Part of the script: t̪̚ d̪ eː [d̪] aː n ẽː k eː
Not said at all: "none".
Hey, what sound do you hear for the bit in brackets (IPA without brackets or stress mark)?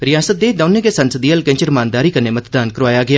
d̪